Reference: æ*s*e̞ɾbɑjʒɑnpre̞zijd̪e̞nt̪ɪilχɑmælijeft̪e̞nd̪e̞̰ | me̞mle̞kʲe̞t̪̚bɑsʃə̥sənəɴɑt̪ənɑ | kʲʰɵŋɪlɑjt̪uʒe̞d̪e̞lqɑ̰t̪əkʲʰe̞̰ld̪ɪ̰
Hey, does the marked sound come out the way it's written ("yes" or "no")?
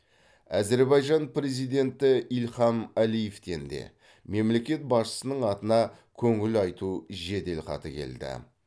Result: no